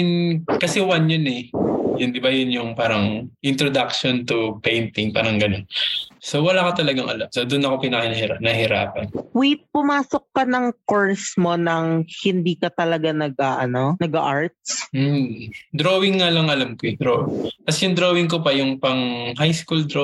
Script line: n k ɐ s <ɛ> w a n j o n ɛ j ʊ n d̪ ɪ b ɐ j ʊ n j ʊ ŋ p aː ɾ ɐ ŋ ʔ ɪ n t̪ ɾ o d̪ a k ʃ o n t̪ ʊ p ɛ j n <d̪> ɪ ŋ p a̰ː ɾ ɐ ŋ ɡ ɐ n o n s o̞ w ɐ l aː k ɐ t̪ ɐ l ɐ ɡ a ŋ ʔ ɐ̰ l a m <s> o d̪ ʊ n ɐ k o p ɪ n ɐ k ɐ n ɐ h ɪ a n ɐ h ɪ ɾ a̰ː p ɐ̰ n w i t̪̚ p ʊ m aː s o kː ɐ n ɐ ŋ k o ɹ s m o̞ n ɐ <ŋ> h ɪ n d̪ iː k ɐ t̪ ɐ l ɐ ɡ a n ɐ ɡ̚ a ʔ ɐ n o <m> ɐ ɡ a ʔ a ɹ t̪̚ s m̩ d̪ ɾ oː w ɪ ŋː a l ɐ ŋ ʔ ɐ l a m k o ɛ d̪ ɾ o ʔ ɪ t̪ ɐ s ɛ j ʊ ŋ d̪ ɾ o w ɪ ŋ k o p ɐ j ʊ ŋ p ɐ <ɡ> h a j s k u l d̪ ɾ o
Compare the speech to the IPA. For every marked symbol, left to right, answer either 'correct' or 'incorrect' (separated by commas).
correct, incorrect, correct, correct, incorrect, incorrect